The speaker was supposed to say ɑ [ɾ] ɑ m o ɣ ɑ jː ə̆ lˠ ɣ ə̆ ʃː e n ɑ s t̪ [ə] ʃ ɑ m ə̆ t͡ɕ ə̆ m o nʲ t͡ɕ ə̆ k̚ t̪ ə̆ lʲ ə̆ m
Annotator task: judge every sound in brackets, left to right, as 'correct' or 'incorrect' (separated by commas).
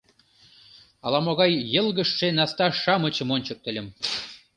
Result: incorrect, incorrect